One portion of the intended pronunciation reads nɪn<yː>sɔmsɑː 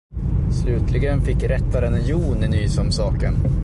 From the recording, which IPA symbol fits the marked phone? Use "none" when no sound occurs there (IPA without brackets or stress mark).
yː